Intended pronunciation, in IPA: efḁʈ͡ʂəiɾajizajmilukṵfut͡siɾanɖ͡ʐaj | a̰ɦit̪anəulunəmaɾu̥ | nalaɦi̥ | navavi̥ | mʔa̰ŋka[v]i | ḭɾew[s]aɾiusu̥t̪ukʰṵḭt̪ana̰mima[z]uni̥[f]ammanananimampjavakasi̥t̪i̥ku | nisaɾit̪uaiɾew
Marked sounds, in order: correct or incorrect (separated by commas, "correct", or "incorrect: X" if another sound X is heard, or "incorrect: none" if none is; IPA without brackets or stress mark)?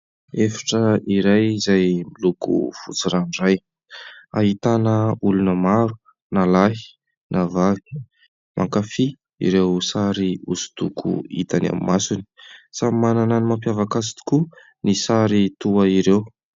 incorrect: f, correct, incorrect: s, incorrect: s